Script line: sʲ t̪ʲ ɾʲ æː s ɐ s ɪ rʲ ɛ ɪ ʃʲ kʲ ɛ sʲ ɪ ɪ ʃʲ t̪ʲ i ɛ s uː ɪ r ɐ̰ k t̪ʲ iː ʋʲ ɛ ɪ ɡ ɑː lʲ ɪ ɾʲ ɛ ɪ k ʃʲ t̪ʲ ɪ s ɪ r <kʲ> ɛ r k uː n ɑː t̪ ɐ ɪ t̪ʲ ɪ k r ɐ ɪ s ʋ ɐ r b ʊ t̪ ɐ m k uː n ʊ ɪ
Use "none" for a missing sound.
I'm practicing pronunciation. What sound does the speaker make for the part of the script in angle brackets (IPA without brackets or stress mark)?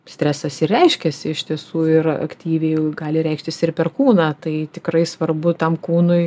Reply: pʲ